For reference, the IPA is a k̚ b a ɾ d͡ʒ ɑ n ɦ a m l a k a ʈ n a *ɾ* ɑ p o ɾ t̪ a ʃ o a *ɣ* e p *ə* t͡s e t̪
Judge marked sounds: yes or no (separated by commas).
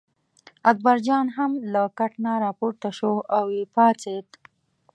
yes, no, no